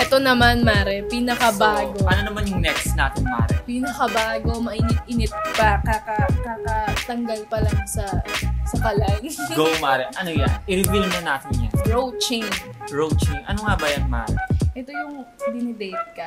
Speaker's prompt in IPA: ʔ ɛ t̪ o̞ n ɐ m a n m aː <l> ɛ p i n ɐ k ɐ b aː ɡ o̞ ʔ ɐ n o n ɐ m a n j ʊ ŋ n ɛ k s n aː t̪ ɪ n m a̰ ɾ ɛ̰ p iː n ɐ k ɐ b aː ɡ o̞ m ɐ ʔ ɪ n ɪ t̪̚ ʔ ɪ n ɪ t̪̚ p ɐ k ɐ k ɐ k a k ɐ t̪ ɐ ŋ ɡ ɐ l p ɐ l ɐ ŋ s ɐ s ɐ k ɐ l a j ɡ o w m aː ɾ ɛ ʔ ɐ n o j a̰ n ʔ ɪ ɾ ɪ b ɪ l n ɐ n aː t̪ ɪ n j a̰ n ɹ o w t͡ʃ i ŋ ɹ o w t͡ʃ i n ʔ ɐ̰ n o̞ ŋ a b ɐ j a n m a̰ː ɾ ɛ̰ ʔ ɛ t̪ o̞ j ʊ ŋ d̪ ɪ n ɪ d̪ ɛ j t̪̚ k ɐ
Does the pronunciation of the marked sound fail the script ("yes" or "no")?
yes